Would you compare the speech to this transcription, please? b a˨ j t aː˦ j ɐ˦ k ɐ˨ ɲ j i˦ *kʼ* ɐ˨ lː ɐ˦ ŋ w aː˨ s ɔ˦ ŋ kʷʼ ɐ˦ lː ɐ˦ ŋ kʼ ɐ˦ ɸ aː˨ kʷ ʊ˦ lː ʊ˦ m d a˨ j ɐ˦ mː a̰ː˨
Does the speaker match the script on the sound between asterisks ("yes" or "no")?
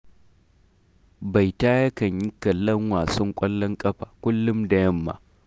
no